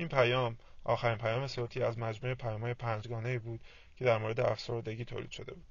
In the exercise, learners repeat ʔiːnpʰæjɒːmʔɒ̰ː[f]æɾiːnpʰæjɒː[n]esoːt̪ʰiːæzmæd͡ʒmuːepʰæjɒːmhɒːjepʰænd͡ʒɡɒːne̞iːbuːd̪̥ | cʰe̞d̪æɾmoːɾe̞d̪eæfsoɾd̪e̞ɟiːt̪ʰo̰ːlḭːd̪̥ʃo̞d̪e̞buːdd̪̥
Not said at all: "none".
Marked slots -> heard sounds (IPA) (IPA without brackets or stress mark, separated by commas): x, m